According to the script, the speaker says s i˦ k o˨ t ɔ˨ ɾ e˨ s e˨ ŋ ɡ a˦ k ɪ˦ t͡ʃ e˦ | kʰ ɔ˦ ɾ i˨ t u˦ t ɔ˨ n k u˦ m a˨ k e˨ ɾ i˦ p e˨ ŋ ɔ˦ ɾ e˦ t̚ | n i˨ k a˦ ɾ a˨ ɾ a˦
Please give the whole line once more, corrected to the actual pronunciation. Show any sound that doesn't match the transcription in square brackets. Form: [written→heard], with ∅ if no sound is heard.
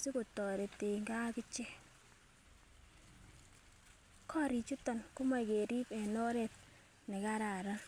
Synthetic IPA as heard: s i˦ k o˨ t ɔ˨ ɾ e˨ [s→t] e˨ ŋ ɡ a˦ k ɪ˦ t͡ʃ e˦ | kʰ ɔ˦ ɾ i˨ [t→t͡ʃ] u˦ t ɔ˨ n k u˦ m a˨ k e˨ ɾ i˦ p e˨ [ŋ→n] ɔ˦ ɾ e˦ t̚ | n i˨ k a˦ ɾ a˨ ɾ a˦